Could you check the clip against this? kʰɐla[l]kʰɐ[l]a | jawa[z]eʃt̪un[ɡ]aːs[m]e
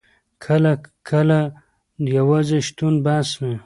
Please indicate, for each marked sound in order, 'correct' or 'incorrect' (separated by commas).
incorrect, correct, correct, incorrect, correct